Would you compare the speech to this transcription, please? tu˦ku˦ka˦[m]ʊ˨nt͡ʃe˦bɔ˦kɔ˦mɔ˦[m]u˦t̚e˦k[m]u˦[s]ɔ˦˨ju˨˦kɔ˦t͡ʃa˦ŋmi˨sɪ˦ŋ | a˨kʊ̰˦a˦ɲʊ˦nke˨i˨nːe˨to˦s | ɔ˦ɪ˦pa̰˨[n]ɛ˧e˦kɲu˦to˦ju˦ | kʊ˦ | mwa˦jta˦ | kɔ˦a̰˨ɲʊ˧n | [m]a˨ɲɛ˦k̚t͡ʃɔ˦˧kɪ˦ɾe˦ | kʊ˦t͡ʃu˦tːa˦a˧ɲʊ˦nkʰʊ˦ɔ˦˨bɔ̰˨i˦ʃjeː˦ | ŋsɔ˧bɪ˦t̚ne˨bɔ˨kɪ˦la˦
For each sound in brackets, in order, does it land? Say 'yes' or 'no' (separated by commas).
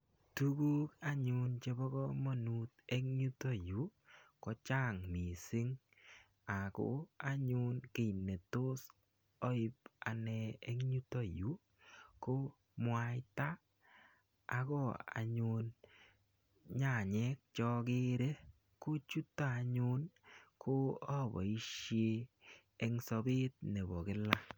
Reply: no, no, no, no, yes, no